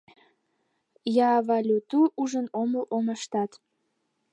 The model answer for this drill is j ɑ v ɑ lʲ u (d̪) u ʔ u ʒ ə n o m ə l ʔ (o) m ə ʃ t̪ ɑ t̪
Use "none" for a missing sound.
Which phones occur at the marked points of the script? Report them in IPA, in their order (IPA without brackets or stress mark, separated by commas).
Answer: t̪, o